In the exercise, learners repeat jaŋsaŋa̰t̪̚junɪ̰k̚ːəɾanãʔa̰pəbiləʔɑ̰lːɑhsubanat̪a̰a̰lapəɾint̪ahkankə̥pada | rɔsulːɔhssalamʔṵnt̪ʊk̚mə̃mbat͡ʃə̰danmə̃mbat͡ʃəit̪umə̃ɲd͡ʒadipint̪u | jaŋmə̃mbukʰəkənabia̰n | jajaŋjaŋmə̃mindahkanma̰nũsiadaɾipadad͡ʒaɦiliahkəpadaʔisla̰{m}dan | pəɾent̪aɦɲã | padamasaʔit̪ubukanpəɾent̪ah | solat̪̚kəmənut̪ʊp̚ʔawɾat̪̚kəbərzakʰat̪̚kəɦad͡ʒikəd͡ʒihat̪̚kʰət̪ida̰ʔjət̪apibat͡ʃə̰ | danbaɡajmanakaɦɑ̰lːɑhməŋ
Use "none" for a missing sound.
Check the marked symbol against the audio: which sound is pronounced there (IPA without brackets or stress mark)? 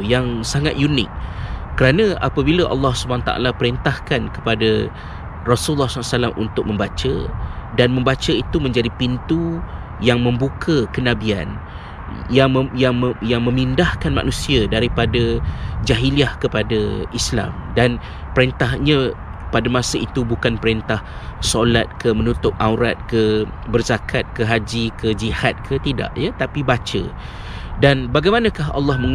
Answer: m